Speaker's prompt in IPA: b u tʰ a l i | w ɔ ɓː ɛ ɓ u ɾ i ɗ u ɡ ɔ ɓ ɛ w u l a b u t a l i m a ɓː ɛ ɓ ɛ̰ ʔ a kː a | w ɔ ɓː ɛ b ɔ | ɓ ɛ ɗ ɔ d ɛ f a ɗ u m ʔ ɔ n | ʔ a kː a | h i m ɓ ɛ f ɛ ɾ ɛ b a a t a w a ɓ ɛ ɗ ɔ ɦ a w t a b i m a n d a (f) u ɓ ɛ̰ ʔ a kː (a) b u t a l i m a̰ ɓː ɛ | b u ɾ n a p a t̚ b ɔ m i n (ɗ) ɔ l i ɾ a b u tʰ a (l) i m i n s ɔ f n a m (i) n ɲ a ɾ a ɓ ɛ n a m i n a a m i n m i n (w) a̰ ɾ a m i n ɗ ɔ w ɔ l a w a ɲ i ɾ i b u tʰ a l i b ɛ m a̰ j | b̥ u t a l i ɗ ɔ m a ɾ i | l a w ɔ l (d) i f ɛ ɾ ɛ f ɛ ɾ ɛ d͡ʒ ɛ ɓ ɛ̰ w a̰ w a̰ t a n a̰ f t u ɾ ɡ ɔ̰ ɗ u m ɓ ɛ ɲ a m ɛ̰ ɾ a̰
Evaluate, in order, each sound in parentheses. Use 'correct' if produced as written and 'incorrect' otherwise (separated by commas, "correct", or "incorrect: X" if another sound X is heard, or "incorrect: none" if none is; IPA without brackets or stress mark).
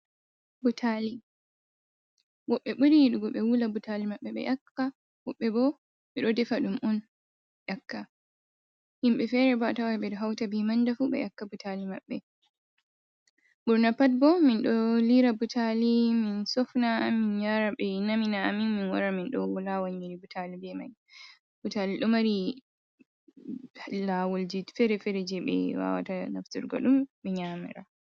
correct, correct, correct, correct, correct, correct, incorrect: d͡ʒ